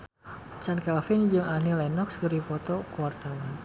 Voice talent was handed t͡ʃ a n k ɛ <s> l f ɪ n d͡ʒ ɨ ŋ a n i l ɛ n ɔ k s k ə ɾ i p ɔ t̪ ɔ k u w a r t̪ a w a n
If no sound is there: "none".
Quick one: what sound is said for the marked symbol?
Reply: none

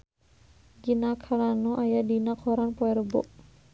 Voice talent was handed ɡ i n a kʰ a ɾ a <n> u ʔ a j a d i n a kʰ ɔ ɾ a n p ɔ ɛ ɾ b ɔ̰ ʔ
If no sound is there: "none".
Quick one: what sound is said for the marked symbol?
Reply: n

